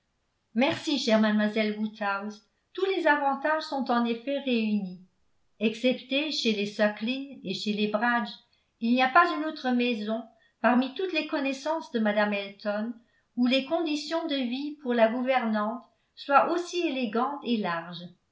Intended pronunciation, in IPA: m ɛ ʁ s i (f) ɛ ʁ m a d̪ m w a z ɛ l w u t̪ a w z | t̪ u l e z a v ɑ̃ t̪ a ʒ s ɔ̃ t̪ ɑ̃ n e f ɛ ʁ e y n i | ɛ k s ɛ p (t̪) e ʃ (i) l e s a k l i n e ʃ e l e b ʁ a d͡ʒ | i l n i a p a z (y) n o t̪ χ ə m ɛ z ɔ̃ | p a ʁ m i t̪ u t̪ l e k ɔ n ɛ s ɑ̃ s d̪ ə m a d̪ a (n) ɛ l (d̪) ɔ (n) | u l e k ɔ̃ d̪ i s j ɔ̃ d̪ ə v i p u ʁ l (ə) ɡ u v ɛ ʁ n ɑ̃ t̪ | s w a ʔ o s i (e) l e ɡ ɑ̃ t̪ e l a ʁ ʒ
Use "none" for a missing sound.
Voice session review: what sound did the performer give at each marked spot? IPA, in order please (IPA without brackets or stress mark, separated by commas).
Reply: ʃ, t̪, e, y, m, t̪, n, a, e